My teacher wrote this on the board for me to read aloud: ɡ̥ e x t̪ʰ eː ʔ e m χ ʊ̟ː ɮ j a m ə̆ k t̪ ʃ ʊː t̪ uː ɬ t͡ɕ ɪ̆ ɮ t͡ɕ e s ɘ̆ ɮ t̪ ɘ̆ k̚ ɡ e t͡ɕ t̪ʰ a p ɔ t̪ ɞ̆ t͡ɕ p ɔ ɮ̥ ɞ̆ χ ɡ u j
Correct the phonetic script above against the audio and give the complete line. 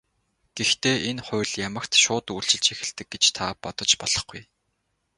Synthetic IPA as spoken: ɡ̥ e x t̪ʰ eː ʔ e n χ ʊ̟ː ɮ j a m ə̆ k t̪ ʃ ʊː t̪ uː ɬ t͡ɕ ɪ̆ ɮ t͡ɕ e x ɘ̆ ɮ t̪ ɘ̆ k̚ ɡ e t͡ɕ t̪ʰ a p ɔ t̪ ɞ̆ t͡ɕ p ɔ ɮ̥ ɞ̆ χ ɡ u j